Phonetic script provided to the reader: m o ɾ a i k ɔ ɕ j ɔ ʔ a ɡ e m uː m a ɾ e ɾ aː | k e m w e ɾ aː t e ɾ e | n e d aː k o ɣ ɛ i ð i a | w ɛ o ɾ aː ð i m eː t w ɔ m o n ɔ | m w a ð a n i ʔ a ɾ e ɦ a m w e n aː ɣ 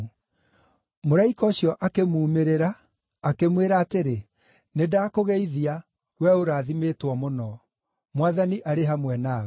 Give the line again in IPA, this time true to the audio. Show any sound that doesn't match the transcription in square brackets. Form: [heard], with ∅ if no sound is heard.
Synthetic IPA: m o ɾ a i k ɔ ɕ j ɔ ʔ a [k] e m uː m [e] ɾ e ɾ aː | k e m w e ɾ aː t e ɾ e | n e d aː k o ɣ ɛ i ð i a | w ɛ o ɾ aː ð i m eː t w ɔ m o n ɔ | m w a ð a n i ʔ a ɾ e ɦ a m w [ɛ] n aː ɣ